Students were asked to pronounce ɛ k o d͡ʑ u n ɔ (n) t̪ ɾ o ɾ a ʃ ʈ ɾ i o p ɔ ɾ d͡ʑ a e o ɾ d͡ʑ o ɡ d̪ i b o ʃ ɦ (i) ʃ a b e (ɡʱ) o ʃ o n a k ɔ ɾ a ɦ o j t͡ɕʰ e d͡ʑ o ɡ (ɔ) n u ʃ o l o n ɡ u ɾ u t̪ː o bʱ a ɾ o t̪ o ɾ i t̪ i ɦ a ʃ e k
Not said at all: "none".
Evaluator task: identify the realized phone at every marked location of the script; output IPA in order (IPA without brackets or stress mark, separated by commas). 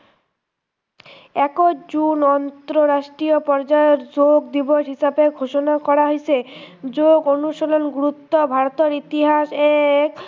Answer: n, i, ɡʱ, o